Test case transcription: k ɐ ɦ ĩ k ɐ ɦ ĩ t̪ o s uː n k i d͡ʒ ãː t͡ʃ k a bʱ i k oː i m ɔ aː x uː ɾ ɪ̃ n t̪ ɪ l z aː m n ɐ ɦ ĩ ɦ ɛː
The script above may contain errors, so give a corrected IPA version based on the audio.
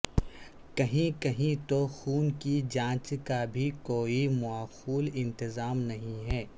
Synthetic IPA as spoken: k ɐ ɦ ĩ k ɐ ɦ ĩ t̪ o x uː n k i d͡ʒ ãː t͡ʃ k a bʱ i k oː i m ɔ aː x uː l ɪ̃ n t̪ ɪ z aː m n ɐ ɦ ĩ ɦ ɛː

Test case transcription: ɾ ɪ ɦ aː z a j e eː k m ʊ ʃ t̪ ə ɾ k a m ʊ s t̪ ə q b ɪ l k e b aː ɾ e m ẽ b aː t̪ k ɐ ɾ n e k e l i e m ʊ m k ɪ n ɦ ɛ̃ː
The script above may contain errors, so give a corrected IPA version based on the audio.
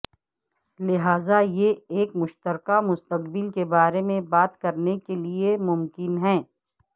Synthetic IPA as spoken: l ɪ ɦ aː z a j e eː k m ʊ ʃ t̪ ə ɾ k a m ʊ s t̪ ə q b ɪ l k e b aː ɾ e m ẽ b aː t̪ k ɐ ɾ n e k e l i e m ʊ m k ɪ n ɦ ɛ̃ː

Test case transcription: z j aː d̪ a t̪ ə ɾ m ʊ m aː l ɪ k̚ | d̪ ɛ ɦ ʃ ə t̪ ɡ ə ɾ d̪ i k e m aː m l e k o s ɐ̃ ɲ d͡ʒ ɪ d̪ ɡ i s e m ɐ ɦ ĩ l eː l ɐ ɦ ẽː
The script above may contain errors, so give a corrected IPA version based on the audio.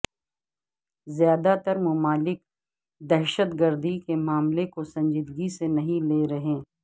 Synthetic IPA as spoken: z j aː d̪ a t̪ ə ɾ m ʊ m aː l ɪ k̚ | d̪ ɛ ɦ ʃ ə t̪ ɡ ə ɾ d̪ i k e m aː m l e k o s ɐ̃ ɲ d͡ʒ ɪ d̪ ɡ i s e n ɐ ɦ ĩ l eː ɾ ɐ ɦ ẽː

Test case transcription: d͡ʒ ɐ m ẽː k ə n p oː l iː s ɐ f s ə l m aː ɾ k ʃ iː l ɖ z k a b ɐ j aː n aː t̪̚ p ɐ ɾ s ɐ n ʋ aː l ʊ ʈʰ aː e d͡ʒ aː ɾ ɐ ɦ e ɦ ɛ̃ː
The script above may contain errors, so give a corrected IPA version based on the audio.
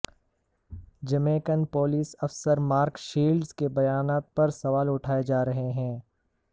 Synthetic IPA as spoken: d͡ʒ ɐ m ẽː k ə n p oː l iː s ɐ f s ə ɾ m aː ɾ k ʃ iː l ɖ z k e b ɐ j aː n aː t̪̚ p ɐ ɾ s ɐ ʋ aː l ʊ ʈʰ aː e d͡ʒ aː ɾ ɐ ɦ e ɦ ɛ̃ː

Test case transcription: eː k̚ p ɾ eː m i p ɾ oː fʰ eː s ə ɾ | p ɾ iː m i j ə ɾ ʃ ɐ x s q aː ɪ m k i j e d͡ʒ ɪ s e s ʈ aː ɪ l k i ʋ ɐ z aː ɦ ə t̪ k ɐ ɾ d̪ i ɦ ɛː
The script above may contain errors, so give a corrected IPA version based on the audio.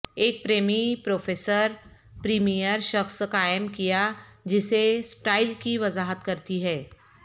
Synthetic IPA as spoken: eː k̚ p ɾ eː m i p ɾ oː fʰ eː s ə ɾ | p ɾ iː m i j ə ɾ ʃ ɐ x s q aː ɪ m k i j a d͡ʒ ɪ s e s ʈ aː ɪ l k i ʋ ɐ z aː ɦ ə t̪ k ɐ ɾ t̪ i ɦ ɛː

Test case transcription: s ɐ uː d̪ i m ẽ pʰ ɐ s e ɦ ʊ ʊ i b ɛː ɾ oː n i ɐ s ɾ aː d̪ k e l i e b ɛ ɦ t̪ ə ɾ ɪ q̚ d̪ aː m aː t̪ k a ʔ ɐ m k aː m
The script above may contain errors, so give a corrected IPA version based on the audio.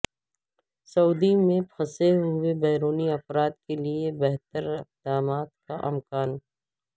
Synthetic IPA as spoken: s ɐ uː d̪ i m ẽ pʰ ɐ s e ɦ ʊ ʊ e b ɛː ɾ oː n i ɐ f ɾ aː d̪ k e l i e b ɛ ɦ t̪ ə ɾ ɪ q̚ d̪ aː m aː t̪ k a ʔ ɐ m k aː n

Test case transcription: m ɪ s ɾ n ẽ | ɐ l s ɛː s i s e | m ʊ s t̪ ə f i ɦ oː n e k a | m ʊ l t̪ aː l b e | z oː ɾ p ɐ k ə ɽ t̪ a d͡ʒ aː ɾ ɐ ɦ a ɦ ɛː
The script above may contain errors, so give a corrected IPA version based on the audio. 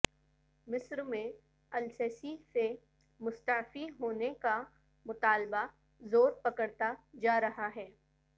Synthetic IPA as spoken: m ɪ s ɾ m ẽ | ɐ l s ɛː s i s e | m ʊ s t̪ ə f i ɦ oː n e k a | m ʊ t̪ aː l b a | z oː ɾ p ɐ k ə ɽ t̪ a d͡ʒ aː ɾ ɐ ɦ a ɦ ɛː

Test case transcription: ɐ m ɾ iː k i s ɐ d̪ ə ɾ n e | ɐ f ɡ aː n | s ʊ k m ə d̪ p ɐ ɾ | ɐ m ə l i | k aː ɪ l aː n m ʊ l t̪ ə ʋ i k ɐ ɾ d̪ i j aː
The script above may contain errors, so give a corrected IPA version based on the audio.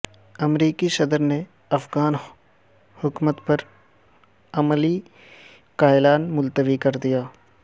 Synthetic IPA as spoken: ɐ m ɾ iː k i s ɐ d̪ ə ɾ n e | ɐ f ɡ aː n | h ʊ k m ə t̪ p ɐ ɾ | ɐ m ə l i | k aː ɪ l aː n m ʊ l t̪ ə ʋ i k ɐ ɾ d̪ i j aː

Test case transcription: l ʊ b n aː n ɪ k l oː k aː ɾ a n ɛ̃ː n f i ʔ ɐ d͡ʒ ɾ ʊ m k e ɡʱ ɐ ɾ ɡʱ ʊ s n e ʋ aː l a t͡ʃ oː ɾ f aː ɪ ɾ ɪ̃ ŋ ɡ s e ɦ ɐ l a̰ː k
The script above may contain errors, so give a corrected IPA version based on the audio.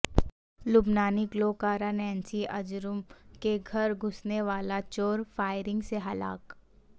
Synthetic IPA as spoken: l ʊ b n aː n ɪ k l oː k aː ɾ a n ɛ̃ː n s i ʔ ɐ d͡ʒ ɾ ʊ m k e ɡʱ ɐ ɾ ɡʱ ʊ s n e ʋ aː l a t͡ʃ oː ɾ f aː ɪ ɾ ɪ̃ ŋ ɡ s e ɦ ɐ l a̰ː k

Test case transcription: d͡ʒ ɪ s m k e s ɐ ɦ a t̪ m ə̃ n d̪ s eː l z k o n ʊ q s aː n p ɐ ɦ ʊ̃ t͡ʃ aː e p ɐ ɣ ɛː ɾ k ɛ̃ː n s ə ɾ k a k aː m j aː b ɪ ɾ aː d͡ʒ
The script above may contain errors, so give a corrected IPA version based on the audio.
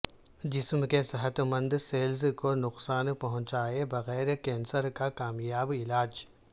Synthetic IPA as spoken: d͡ʒ ɪ s m k e s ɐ ɦ ə t̪ m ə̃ n d̪ s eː l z k o n ʊ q s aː n p ɐ ɦ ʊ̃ t͡ʃ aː e b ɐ ɣ ɛː ɾ k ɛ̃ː n s ə ɾ k a k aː m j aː b ɪ l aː d͡ʒ

